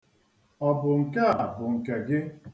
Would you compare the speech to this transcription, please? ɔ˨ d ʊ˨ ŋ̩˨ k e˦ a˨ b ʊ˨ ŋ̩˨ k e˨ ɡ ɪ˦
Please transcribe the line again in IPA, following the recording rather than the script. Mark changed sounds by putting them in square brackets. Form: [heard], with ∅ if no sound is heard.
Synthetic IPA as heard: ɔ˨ [b] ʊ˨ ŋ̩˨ k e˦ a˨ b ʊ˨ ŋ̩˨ k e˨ ɡ ɪ˦